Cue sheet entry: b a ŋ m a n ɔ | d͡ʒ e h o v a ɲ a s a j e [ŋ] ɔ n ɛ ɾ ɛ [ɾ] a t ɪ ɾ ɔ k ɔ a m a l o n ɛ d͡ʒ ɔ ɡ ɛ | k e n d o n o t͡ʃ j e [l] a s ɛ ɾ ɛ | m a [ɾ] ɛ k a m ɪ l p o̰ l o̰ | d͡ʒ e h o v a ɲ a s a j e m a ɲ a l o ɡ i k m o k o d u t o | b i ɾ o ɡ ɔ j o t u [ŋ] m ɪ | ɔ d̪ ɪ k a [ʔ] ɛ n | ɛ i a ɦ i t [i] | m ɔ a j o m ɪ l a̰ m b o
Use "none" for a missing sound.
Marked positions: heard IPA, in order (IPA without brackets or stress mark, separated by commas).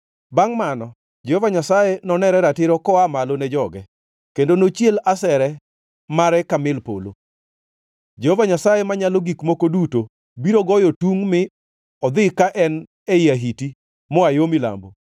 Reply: n, ɾ, l, ɾ, ŋ, ʔ, i